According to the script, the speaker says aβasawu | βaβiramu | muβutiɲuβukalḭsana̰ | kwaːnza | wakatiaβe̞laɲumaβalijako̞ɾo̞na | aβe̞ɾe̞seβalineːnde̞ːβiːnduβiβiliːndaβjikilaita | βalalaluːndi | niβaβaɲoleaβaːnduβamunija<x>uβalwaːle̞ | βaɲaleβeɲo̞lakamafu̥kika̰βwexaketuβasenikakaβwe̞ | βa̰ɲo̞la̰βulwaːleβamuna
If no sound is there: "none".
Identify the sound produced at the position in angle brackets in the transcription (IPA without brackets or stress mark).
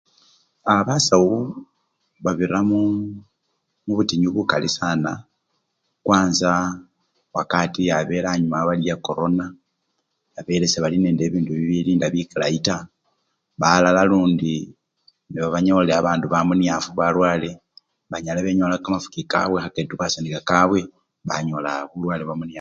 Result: f